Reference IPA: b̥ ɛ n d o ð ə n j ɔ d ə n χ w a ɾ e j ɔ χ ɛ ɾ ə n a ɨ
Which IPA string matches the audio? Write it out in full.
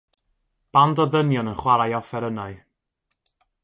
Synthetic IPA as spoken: b̥ a n d ɔ ð ə n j ɔ n ə n χ w a ɾ a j ɔ f ɛ ɾ ə n a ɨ